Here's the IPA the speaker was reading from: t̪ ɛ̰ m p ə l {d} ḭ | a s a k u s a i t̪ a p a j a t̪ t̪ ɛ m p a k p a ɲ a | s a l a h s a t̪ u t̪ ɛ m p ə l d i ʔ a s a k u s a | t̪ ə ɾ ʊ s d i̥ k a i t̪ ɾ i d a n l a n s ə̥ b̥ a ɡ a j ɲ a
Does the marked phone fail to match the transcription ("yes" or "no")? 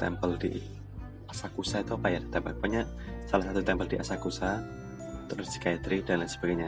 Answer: no